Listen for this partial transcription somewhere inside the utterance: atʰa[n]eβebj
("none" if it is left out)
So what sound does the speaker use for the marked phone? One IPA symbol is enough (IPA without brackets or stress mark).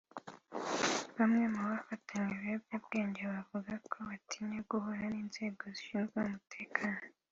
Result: ɲ